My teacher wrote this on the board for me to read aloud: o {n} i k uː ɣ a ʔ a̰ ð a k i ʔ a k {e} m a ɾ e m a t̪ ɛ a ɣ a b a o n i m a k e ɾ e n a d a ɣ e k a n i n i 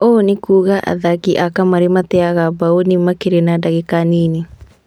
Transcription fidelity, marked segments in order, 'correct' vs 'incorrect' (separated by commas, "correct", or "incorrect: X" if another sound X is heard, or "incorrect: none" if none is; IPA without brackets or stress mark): correct, incorrect: a